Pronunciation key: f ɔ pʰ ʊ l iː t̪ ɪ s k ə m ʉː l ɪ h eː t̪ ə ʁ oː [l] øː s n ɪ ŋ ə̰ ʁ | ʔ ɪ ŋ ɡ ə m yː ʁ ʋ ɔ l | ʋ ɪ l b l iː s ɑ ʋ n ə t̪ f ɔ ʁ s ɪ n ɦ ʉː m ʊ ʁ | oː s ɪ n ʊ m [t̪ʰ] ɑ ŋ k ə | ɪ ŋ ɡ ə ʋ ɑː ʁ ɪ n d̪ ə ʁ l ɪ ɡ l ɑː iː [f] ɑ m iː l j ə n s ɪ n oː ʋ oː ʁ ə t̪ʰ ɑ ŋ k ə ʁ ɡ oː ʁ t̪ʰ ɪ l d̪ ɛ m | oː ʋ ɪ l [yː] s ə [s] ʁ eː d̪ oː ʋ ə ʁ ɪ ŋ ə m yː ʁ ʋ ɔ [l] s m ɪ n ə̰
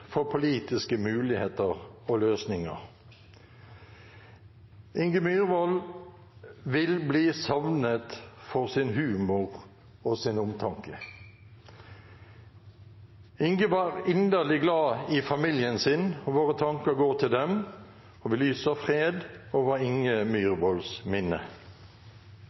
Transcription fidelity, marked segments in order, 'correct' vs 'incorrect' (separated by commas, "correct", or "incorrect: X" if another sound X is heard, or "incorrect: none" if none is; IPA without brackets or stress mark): correct, correct, correct, correct, incorrect: f, correct